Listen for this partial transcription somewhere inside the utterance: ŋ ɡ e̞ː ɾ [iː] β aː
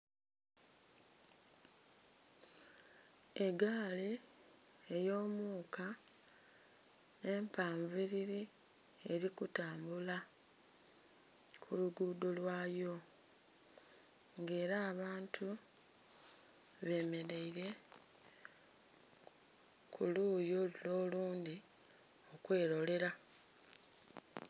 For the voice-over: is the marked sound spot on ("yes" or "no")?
no